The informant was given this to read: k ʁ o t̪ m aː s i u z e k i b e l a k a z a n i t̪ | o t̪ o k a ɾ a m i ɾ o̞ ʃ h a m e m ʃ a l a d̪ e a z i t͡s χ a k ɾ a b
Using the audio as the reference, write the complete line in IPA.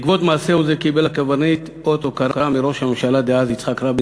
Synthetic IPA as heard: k v o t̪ m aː s e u z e k i b e l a k a v a n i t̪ | o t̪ o k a ɾ a m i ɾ o̞ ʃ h a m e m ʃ a l a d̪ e a z i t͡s χ a k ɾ a b